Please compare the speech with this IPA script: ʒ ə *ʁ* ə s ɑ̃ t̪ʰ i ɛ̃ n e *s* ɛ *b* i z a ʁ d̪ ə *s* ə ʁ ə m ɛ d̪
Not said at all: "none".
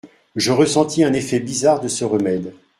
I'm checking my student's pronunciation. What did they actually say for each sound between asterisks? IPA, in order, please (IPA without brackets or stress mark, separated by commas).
ʁ, f, b, s